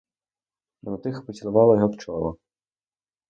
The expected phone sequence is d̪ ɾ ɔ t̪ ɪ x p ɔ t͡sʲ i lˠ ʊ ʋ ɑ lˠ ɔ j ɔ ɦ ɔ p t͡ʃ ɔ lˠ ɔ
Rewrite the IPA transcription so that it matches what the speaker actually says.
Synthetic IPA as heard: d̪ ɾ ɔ t̪ ɪ x p ɔ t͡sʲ i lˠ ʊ ʋ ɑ lˠ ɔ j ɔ ɦ ɔ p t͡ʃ ɔ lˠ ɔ